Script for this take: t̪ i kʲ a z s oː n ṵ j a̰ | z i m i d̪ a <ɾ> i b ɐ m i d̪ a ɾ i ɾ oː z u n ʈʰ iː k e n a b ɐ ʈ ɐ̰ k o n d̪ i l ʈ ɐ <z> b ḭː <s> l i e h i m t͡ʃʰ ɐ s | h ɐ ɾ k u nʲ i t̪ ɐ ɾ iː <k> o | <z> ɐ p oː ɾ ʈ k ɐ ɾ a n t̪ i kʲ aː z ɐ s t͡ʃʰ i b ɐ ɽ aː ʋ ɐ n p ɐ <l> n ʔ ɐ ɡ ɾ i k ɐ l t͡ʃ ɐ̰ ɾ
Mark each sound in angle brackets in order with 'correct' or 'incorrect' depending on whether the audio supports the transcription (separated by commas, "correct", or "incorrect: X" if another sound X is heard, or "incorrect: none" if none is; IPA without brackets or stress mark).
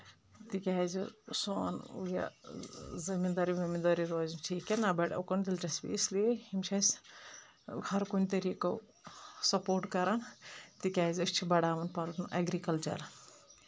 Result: correct, incorrect: s, correct, correct, incorrect: s, incorrect: ɾ